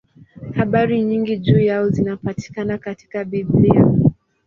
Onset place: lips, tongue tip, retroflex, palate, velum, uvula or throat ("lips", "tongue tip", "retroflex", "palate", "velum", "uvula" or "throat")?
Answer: throat